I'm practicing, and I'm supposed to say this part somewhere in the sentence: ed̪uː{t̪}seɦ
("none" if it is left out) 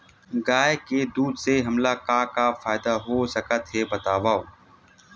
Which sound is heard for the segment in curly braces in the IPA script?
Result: d̪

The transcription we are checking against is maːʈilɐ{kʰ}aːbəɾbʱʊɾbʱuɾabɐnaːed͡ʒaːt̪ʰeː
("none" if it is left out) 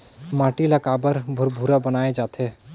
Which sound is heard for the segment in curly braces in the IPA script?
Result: k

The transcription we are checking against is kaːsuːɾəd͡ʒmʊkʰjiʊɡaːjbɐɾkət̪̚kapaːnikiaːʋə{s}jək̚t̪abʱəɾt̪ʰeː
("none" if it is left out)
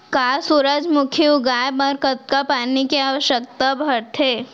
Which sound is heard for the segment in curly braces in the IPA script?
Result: ʃ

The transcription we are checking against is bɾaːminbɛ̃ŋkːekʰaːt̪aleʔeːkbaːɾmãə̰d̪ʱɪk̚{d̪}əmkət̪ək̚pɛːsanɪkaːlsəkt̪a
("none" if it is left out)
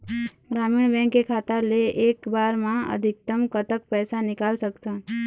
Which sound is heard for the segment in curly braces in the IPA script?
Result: t̪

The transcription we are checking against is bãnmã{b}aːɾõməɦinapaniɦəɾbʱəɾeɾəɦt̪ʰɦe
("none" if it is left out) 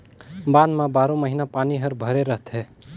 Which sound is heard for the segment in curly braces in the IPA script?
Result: b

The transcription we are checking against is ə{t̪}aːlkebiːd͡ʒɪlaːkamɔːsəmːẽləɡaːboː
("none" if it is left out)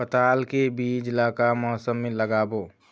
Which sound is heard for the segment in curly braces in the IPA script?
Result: t̪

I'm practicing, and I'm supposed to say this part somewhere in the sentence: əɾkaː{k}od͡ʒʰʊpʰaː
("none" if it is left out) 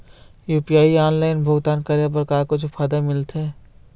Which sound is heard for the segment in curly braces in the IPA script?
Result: k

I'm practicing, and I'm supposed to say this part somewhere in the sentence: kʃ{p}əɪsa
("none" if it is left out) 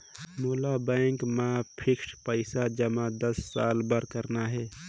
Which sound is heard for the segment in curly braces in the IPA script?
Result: p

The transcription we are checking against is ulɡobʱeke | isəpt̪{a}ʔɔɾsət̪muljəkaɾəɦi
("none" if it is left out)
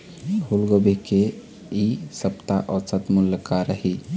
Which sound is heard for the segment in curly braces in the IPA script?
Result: a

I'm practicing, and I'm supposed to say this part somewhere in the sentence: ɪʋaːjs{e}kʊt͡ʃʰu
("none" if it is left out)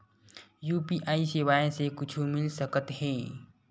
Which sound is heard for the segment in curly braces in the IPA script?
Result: e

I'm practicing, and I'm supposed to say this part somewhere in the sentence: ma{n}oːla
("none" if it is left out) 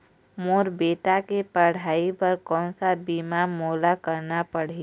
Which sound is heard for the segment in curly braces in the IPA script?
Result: m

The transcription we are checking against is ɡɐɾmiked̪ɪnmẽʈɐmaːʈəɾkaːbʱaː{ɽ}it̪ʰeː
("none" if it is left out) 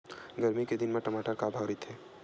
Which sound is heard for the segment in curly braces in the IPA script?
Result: ɾ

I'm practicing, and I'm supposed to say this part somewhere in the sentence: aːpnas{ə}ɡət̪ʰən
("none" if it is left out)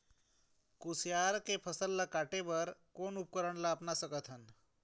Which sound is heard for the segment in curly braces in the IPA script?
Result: ə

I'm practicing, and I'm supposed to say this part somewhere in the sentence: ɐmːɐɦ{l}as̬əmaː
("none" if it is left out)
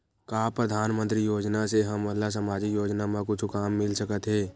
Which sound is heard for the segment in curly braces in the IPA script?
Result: l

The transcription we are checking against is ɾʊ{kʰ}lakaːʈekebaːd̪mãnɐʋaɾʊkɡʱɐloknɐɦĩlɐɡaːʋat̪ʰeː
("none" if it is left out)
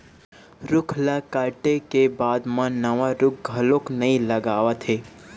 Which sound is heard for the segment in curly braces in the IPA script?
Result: kʰ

